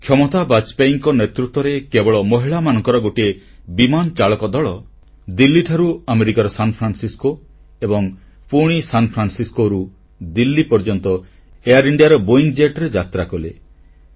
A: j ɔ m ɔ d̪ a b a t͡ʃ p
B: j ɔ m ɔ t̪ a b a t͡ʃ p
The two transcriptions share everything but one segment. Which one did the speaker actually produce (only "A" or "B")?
B